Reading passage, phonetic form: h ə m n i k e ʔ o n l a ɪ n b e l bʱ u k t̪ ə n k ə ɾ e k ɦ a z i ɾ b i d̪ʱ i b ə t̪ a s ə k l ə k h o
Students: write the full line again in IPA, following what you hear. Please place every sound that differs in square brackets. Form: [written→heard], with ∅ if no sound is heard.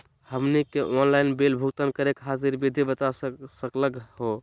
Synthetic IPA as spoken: h ə m n i k e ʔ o n l a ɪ n b e l bʱ u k t̪ ə n k ə ɾ e k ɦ a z i ɾ b i d̪ʱ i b ə t̪ a s ə k l ə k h o